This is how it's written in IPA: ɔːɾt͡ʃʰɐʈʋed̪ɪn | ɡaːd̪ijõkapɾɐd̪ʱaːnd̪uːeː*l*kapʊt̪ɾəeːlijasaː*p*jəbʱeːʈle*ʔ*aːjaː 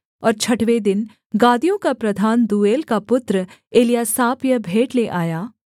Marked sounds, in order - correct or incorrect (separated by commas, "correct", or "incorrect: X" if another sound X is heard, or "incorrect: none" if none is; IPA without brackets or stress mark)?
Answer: correct, correct, correct